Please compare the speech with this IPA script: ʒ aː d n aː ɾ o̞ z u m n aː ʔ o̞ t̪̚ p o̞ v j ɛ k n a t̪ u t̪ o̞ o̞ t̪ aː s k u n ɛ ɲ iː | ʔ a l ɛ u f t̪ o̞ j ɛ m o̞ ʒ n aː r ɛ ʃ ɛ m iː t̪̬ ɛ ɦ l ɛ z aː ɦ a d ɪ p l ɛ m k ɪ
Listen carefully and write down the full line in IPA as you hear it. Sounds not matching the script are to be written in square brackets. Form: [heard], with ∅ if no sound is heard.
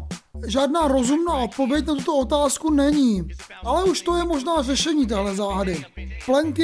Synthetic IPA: ʒ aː d n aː ɾ o̞ z u m n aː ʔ o̞ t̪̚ p o̞ v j ɛ [c] n a t̪ u t̪ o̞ o̞ t̪ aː s k u n ɛ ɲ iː | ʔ a l ɛ u [ʃ] t̪ o̞ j ɛ m o̞ ʒ n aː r ɛ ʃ ɛ [ɲ] iː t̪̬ ɛ ɦ l ɛ z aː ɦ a d ɪ p l ɛ [ŋ] k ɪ